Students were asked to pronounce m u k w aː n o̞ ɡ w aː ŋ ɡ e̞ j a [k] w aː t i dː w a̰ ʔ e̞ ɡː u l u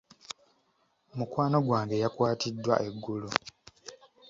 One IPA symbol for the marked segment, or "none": k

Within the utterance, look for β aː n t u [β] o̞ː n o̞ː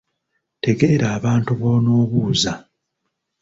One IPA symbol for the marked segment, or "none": β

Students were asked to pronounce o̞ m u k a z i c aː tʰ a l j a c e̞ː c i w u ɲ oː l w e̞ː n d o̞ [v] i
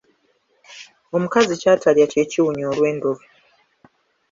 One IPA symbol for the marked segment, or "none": v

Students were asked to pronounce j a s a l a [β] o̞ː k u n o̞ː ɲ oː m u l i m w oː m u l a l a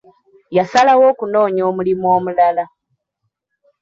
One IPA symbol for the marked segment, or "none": w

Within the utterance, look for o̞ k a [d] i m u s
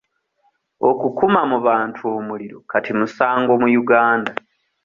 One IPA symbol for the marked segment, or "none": t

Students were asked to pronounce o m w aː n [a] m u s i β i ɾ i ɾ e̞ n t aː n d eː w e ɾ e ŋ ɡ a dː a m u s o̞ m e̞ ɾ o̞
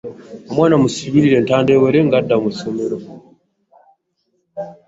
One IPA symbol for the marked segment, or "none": a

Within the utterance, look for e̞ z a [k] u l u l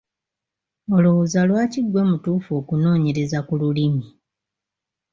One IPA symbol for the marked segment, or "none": k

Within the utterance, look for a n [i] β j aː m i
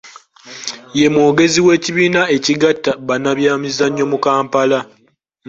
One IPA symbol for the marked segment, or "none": a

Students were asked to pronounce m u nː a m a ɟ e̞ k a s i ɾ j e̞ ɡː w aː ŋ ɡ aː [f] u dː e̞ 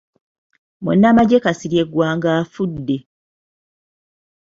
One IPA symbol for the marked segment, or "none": f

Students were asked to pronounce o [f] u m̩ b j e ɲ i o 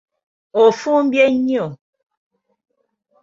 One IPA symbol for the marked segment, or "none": f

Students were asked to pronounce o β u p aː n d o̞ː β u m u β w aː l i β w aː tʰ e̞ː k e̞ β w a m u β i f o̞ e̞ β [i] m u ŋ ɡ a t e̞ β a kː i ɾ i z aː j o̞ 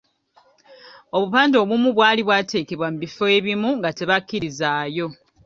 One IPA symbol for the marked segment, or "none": i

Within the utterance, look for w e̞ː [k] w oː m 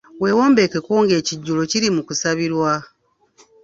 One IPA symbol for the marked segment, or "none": none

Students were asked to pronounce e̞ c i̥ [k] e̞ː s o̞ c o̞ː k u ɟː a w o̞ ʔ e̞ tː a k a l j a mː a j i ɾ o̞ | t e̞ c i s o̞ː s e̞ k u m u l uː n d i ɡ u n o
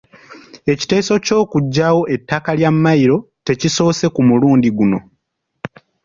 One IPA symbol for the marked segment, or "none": t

